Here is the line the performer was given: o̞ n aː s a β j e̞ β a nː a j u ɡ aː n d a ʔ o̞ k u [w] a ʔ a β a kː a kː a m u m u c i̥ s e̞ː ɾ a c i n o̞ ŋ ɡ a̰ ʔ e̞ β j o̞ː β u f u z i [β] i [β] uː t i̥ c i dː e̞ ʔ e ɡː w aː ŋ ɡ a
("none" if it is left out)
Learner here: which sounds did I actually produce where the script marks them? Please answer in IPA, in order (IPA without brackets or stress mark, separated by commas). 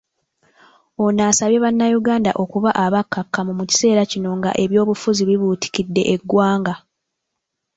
β, β, β